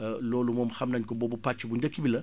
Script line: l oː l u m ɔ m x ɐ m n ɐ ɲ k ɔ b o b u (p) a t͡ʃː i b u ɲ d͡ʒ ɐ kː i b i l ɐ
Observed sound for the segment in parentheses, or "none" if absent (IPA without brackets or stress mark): p